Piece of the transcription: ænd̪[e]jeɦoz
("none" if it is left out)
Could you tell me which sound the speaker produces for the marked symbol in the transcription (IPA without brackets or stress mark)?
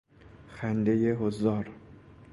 e